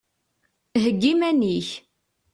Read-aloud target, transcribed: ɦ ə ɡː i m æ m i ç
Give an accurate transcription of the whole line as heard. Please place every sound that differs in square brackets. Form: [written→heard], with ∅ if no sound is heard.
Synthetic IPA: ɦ ə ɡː i m æ [m→n] i ç